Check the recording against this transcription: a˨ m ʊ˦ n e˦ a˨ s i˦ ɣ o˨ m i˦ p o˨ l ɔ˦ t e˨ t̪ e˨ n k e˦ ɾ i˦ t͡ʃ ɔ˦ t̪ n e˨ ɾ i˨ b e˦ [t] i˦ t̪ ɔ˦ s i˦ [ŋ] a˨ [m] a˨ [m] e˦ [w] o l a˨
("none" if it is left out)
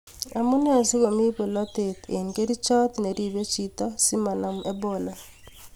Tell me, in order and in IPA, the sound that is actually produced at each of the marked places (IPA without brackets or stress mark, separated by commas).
t͡ʃ, m, n, m, b